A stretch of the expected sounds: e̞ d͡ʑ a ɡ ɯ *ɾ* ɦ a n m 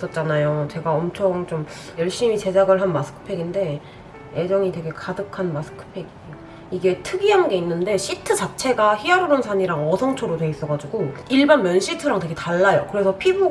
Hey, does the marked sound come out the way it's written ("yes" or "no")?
no